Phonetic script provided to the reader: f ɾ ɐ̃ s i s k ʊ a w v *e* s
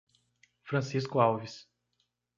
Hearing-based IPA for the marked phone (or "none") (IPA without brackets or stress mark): i